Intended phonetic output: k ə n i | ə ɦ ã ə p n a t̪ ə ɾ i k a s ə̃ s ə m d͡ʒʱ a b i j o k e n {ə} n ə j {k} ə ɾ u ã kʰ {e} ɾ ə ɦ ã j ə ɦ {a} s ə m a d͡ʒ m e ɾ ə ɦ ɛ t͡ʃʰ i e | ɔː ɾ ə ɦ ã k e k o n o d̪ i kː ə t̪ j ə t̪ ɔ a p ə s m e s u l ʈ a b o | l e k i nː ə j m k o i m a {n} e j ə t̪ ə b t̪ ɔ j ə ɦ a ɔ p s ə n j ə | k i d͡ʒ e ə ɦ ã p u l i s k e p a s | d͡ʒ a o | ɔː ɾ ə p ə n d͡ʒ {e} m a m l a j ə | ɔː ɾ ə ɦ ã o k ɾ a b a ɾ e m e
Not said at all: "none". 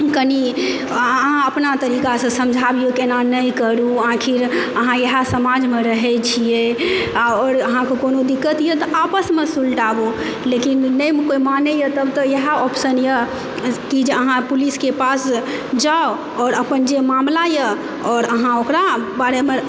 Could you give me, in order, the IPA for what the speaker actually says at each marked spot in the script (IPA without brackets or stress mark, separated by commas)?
a, k, i, a, n, e